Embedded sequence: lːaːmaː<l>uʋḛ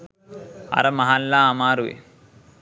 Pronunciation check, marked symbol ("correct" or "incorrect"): incorrect